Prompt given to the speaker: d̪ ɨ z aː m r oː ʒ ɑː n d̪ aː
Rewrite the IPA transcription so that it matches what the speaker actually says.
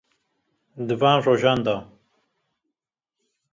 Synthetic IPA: d̪ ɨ v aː n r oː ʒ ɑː n d̪ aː